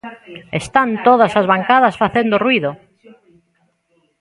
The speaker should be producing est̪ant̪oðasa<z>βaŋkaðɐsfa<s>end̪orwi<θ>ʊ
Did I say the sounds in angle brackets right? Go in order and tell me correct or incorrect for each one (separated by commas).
correct, incorrect, incorrect